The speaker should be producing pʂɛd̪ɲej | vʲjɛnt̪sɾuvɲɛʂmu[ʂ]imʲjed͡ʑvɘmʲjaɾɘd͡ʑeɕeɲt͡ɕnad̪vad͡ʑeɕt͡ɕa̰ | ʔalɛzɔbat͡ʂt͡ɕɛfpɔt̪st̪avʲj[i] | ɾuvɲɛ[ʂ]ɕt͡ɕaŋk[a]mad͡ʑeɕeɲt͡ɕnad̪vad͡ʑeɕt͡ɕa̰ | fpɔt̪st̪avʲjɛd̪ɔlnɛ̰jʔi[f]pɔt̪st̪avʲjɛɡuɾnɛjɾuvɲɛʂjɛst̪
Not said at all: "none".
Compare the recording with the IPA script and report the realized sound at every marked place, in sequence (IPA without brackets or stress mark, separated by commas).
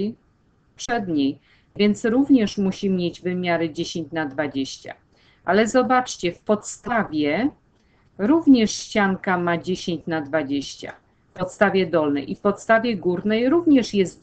ɕ, ɛ, ʂ, a, f